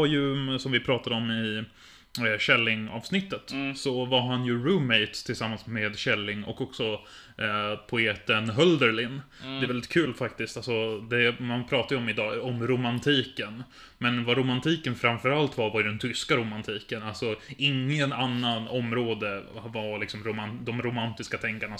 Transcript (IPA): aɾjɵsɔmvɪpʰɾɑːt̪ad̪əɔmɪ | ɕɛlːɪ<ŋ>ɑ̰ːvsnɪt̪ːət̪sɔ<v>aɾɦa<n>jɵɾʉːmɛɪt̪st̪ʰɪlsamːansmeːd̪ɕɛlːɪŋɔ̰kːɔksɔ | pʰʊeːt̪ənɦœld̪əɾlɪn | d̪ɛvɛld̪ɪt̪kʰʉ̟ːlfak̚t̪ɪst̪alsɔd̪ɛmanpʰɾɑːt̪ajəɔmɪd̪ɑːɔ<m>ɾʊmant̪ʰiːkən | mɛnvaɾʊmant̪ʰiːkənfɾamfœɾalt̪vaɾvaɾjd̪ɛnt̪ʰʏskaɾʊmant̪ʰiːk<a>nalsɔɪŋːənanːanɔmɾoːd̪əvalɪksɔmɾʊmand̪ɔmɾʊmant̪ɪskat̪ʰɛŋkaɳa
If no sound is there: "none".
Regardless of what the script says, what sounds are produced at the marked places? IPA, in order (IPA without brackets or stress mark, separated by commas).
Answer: ŋ, v, n, m, ə